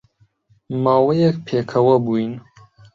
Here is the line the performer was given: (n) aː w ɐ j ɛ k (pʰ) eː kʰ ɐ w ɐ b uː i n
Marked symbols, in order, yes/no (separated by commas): no, yes